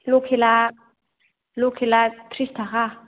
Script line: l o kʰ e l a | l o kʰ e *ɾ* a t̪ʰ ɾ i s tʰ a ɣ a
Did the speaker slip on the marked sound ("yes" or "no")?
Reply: yes